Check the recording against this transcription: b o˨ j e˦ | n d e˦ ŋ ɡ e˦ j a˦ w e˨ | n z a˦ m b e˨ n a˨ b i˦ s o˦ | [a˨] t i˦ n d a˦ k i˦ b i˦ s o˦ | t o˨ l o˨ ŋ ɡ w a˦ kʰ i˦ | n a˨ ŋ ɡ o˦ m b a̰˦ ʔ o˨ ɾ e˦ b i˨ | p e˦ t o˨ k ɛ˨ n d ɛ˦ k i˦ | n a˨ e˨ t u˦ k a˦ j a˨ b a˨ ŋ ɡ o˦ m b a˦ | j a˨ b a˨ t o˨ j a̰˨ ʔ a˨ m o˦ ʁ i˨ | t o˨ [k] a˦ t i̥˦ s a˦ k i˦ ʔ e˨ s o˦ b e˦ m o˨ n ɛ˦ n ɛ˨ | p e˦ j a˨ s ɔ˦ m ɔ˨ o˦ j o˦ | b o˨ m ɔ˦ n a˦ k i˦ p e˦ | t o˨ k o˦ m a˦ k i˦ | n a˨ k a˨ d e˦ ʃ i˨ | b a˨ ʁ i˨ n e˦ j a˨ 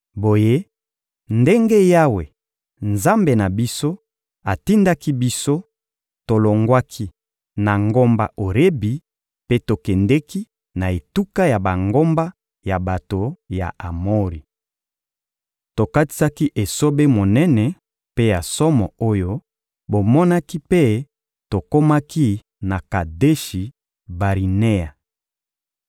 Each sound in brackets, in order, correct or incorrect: correct, correct

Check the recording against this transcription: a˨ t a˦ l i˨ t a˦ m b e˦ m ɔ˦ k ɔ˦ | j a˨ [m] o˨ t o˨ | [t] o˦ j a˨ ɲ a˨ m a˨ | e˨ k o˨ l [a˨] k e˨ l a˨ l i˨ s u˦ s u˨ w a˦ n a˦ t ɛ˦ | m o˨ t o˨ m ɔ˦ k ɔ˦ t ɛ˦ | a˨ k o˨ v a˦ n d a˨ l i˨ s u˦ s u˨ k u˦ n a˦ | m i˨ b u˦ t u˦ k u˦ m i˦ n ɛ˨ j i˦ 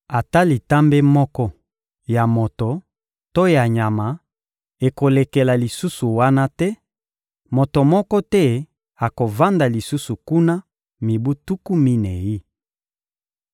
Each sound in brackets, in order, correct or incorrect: correct, correct, incorrect

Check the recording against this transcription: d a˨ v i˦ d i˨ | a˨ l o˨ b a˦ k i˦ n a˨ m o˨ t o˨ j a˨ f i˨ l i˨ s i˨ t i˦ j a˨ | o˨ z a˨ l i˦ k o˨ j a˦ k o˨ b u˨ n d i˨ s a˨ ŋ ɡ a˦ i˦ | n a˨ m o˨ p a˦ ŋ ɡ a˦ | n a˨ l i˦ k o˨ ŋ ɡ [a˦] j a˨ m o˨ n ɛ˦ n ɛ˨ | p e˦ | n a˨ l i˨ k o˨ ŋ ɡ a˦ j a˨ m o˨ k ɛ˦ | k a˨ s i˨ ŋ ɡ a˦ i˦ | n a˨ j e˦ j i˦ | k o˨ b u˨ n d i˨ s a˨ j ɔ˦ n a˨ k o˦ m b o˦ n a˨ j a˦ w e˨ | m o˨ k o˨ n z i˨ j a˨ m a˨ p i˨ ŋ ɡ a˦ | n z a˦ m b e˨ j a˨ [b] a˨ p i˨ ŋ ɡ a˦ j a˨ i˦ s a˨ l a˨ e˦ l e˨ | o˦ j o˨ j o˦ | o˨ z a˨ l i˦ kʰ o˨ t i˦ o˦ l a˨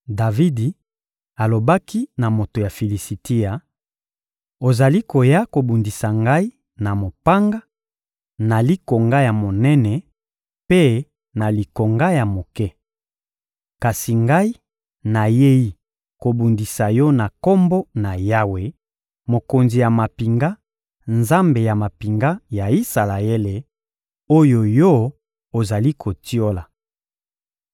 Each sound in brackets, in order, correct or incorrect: correct, incorrect

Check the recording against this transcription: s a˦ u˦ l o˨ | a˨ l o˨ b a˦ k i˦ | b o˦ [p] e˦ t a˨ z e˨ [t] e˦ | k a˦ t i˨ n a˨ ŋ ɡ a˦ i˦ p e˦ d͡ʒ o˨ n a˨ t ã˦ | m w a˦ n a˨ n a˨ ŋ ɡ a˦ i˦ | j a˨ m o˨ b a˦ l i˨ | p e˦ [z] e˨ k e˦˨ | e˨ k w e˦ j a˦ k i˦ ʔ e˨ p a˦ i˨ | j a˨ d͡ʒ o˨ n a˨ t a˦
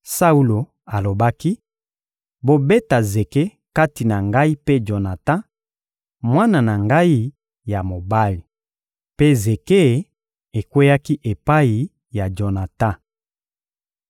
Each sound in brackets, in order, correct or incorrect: incorrect, incorrect, correct

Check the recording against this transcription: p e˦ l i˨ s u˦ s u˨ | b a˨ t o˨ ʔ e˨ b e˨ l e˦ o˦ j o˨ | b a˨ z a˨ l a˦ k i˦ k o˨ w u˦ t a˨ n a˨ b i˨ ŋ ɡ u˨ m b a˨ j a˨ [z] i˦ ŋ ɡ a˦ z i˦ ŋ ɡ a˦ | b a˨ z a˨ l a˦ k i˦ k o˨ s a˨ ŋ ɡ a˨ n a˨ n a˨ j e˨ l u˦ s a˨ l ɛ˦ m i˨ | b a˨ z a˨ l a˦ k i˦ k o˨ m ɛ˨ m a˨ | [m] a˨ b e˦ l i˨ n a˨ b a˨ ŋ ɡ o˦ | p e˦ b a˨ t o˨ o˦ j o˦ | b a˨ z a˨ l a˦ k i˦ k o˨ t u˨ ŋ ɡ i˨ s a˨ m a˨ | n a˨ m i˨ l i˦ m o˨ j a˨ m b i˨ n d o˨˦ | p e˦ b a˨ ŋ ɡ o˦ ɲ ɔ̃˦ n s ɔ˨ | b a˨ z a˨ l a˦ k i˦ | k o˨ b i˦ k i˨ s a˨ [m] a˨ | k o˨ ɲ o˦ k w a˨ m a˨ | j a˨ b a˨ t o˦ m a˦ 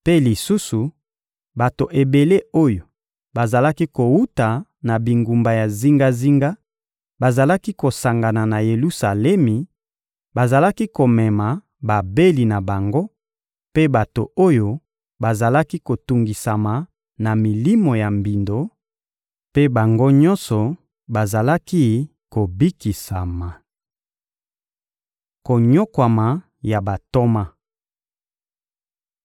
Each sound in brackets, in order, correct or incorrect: correct, incorrect, correct

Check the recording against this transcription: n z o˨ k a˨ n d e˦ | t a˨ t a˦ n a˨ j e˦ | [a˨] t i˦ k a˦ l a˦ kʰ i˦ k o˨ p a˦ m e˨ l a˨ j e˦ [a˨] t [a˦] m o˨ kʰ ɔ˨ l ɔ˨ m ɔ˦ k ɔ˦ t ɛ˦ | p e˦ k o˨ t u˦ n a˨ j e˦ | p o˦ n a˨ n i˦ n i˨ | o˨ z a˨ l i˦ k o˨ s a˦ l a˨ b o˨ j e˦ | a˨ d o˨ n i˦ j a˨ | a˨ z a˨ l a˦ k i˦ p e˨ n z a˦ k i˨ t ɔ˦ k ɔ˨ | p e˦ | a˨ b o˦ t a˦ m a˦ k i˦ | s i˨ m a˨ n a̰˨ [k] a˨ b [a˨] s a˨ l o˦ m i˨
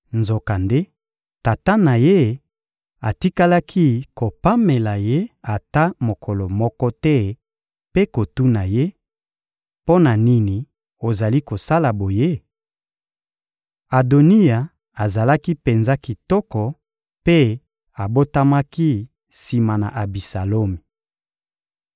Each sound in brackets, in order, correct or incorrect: correct, correct, correct, incorrect, incorrect

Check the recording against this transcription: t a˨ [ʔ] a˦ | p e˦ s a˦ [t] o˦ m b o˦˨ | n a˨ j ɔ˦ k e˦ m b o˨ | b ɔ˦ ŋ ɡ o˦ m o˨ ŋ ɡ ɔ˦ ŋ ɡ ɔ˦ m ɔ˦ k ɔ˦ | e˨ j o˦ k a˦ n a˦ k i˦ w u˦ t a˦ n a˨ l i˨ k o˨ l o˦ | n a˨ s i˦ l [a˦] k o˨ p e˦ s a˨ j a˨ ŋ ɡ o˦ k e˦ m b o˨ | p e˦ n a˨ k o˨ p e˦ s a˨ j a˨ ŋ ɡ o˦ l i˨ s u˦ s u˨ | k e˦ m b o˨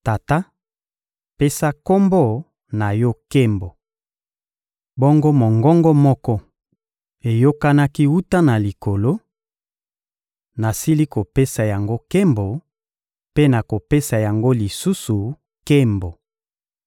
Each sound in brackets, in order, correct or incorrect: incorrect, incorrect, incorrect

